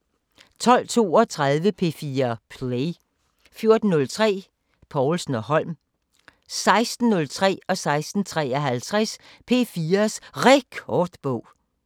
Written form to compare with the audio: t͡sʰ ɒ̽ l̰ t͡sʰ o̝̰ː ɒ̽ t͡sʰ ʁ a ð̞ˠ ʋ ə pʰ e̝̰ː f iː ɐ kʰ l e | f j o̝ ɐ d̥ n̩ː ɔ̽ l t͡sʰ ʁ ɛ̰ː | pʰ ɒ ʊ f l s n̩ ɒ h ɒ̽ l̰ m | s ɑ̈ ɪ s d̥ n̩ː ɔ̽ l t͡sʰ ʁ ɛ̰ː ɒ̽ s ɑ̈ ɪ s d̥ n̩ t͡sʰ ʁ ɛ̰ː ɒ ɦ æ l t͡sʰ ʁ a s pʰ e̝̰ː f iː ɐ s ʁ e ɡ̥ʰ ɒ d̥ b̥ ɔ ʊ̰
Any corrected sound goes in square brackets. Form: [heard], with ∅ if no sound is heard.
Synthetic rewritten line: t͡sʰ ɒ̽ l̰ t͡sʰ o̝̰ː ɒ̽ t͡sʰ ʁ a ð̞ˠ ʋ ə pʰ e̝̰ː f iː ɐ [pʰ] l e | f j o̝ ɐ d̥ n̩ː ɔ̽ l t͡sʰ ʁ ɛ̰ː | pʰ ɒ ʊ [∅] l s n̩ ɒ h ɒ̽ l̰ m | s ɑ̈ ɪ s d̥ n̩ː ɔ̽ l t͡sʰ ʁ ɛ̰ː ɒ̽ s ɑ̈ ɪ s d̥ n̩ t͡sʰ ʁ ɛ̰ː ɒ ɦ æ l t͡sʰ ʁ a s pʰ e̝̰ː f iː ɐ s ʁ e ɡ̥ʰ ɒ d̥ b̥ ɔ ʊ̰